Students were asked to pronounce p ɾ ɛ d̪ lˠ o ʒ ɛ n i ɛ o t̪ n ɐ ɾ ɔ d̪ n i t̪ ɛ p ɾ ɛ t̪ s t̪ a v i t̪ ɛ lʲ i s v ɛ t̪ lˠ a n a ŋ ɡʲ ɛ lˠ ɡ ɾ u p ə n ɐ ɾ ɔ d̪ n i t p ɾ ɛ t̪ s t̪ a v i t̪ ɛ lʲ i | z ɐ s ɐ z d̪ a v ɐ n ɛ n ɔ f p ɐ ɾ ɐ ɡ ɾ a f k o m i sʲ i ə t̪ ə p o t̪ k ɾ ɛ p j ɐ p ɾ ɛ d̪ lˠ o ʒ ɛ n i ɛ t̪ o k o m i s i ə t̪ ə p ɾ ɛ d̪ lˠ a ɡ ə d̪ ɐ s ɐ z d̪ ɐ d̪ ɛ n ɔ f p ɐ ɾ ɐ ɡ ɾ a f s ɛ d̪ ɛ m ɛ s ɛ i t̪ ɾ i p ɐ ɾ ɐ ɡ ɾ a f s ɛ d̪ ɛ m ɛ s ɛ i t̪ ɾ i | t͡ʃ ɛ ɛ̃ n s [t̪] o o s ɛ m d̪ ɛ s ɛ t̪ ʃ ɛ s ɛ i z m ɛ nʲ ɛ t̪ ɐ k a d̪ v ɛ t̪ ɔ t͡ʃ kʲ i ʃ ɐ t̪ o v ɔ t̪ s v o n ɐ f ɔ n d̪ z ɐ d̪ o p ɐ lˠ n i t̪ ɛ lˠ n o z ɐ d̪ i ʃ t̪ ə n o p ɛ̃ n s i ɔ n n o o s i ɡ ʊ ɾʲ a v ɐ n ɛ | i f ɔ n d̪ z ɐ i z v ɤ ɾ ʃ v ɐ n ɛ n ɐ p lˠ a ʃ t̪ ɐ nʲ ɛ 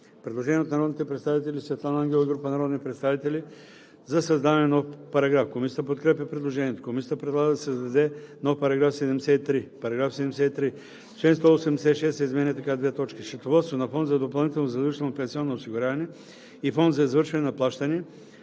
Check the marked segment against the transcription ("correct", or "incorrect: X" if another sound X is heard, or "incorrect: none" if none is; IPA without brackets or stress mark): correct